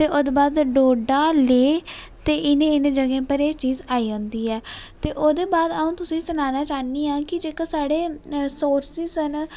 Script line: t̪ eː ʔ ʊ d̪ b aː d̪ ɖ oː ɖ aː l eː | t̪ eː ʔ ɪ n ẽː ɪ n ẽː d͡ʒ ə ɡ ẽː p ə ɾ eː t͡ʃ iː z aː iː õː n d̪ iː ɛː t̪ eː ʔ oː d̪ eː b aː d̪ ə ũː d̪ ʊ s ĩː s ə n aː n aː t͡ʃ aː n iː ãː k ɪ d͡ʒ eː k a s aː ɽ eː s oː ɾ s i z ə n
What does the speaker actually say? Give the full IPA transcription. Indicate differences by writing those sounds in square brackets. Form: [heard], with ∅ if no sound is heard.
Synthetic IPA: t̪ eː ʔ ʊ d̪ b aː d̪ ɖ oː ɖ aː l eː | t̪ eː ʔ ɪ n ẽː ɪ n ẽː d͡ʒ ə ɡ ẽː p ə ɾ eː t͡ʃ iː z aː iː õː n d̪ iː ɛː t̪ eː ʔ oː d̪ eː b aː d̪ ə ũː [t̪] ʊ s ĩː s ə n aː n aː t͡ʃ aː n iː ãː k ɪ d͡ʒ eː k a s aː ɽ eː s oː ɾ s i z ə n